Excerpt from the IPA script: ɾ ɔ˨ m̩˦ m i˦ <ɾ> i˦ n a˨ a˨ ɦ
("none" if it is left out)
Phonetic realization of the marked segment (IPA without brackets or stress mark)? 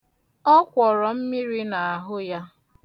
ɾ